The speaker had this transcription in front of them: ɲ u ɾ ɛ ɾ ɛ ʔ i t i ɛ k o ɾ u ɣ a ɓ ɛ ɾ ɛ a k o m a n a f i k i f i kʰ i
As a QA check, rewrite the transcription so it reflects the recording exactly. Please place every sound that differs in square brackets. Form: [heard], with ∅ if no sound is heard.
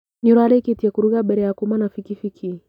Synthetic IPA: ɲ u ɾ [a] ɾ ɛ [k] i t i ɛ k [u] ɾ u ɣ a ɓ ɛ ɾ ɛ a k [u] m a n a f i k i f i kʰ i